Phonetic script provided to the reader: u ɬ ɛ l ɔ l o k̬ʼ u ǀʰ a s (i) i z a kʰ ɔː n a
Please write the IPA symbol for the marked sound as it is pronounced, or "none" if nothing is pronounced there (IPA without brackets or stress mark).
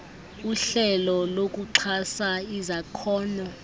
a